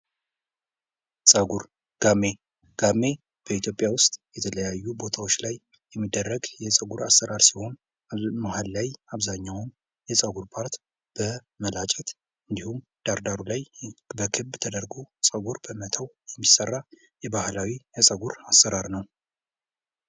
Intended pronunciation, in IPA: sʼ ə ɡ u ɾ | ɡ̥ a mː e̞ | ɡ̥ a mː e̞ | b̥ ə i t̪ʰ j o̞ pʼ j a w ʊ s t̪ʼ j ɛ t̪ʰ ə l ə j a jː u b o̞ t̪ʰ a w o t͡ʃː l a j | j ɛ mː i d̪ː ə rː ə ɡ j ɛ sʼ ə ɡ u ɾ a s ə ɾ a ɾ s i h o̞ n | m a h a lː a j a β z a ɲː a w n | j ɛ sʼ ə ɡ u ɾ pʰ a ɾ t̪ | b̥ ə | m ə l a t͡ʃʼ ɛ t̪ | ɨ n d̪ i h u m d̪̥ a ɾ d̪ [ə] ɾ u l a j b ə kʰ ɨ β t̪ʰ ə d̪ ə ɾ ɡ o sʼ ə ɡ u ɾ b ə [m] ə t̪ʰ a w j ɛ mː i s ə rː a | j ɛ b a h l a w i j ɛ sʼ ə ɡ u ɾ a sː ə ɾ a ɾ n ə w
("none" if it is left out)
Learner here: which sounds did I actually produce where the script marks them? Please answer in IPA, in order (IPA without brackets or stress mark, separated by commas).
a, m